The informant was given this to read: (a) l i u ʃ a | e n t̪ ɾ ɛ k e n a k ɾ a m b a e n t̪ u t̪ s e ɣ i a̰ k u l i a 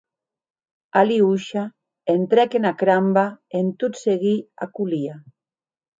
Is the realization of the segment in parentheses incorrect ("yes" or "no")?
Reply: no